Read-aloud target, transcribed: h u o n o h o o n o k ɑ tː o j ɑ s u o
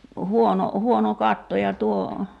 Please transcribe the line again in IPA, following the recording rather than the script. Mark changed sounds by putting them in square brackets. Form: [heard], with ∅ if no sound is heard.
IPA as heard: h u o n o h [u] o n o k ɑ tː o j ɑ [t] u o